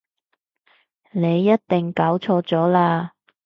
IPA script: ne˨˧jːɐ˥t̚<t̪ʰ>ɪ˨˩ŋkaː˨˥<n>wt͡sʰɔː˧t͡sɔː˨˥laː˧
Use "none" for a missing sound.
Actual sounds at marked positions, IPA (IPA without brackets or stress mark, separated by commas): t̪, none